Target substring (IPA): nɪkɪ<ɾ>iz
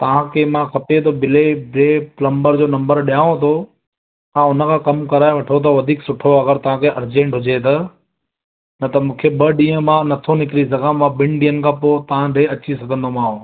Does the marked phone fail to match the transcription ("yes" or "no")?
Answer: no